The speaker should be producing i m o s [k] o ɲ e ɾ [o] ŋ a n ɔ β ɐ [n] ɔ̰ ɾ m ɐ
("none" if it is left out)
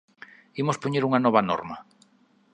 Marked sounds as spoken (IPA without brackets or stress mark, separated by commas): p, u, n